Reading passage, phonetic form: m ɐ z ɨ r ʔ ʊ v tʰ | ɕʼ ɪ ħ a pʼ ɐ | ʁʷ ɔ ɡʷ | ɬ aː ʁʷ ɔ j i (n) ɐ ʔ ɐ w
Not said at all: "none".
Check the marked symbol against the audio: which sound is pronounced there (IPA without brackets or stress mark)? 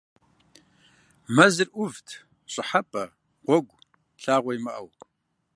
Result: m